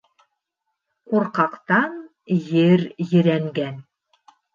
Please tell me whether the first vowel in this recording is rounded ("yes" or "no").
yes